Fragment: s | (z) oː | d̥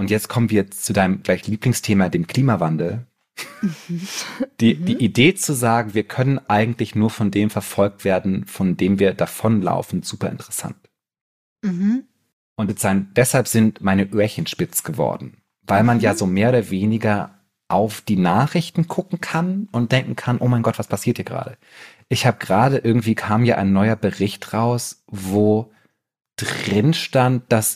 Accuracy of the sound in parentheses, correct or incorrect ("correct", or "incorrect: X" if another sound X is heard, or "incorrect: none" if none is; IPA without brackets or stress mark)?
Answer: incorrect: v